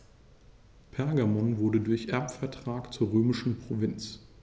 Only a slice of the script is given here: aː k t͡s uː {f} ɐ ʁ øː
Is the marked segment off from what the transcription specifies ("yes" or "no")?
yes